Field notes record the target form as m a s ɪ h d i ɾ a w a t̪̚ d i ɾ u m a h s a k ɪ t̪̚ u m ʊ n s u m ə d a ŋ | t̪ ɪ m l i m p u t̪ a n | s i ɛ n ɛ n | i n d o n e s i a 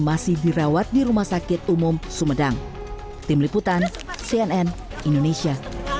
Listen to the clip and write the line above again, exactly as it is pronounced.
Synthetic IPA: m a s ɪ h d i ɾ a w a t̪̚ d i ɾ u m a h s a k ɪ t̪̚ u m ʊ m s u m ə d a ŋ | t̪ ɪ m l i p u t̪ a n | s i ɛ n ɛ n | i n d o n e s i a